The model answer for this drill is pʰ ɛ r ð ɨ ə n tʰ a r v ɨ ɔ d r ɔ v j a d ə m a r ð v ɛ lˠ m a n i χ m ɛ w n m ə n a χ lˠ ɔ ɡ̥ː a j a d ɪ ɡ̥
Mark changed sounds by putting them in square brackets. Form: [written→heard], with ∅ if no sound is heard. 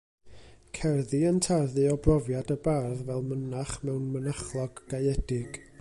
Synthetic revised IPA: [pʰ→kʰ] ɛ r ð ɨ ə n tʰ a r [v→ð] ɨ ɔ [d→b] r ɔ v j a d ə [m→b] a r ð v ɛ lˠ m [a→ə] n [i→a] χ m ɛ w n m ə n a χ lˠ ɔ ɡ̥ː a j [a→ɛ] d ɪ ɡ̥

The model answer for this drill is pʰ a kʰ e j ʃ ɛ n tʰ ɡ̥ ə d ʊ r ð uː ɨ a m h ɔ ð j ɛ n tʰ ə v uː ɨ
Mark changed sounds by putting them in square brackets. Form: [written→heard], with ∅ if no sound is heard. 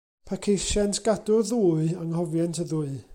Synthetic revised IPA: pʰ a kʰ e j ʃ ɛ n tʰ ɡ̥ [ə→a] d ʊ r ð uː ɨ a [m→ŋ] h ɔ [ð→v] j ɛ n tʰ ə [v→ð] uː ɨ

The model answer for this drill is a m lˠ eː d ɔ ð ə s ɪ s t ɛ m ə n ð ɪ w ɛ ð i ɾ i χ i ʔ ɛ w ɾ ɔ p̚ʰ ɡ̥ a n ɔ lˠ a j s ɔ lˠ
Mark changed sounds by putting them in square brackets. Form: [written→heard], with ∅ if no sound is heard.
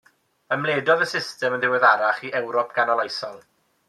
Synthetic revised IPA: [a→ə] m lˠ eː d ɔ ð ə s ɪ s t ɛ m ə n ð ɪ w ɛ ð [i→a] ɾ [i→a] χ i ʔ ɛ w ɾ ɔ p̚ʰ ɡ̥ a n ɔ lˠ a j s ɔ lˠ

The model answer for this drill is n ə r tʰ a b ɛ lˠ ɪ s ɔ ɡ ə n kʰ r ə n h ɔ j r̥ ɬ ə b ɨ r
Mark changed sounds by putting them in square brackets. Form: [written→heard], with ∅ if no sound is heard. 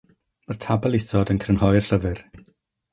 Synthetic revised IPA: [n→m] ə r tʰ a b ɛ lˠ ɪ s ɔ [ɡ→d] ə n kʰ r ə n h ɔ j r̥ ɬ ə [b→v] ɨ r

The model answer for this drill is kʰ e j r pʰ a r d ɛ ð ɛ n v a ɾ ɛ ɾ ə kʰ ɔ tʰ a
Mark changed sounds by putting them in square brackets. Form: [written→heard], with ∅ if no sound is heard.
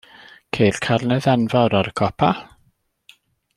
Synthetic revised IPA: kʰ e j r [pʰ→kʰ] a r [d→n] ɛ ð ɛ n v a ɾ [ɛ→a] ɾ ə kʰ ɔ [tʰ→pʰ] a

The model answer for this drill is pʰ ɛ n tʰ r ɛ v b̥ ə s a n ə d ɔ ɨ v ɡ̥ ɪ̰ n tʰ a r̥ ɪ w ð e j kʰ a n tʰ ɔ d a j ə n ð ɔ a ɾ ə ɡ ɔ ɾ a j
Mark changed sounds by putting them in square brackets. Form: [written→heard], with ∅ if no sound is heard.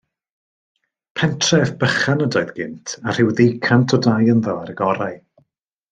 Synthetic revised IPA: pʰ ɛ n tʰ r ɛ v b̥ ə [s→χ] a n ə d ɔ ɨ [v→ð] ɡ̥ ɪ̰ n tʰ a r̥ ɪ w ð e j kʰ a n tʰ ɔ d a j ə n ð ɔ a ɾ ə ɡ ɔ ɾ a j

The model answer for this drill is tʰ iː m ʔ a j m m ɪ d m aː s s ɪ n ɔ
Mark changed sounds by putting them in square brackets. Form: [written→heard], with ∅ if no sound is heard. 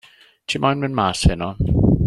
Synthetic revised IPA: tʰ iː m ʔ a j [m→n] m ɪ [d→n] m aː s [s→h] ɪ n ɔ

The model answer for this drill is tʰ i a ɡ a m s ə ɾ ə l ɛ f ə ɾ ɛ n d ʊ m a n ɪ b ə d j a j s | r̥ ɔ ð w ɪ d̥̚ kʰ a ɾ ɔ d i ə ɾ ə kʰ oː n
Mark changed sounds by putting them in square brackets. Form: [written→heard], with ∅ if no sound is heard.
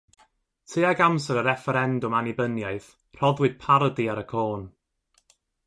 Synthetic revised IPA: tʰ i a ɡ a m s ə ɾ ə [l→ɾ] ɛ f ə ɾ ɛ n d ʊ m a n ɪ b ə [d→n] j a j [s→θ] | r̥ ɔ ð w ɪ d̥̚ [kʰ→pʰ] a ɾ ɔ d i [ə→a] ɾ ə kʰ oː n

